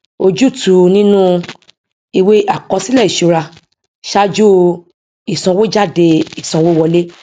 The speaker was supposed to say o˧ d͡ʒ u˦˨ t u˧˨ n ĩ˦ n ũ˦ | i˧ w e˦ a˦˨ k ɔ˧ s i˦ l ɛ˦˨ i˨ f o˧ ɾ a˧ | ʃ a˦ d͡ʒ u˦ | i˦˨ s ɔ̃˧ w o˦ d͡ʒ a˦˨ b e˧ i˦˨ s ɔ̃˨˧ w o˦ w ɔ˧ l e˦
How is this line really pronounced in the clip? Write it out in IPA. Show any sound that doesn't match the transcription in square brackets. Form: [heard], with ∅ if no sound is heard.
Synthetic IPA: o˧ d͡ʒ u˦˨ t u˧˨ n ĩ˦ n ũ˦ | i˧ w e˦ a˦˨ k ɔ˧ s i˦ l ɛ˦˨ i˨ [ʃ] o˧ ɾ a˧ | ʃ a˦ d͡ʒ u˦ | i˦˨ s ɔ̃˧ w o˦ d͡ʒ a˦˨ [d] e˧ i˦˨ s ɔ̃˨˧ w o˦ w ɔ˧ l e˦